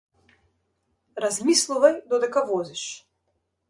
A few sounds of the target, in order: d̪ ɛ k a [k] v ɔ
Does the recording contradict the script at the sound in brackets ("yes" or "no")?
yes